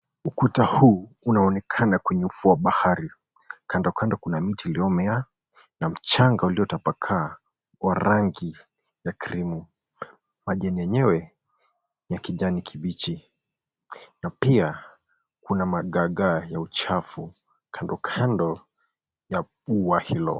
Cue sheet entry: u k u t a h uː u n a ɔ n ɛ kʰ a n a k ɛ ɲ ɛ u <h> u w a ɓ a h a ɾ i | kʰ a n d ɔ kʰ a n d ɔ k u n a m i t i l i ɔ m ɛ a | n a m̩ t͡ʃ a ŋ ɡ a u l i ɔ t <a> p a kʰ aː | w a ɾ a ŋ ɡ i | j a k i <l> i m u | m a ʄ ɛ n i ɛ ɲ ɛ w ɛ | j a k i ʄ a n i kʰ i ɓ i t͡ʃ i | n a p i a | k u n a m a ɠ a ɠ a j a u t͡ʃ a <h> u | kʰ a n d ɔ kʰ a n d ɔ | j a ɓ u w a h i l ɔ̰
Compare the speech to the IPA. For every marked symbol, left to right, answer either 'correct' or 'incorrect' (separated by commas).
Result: incorrect, correct, incorrect, incorrect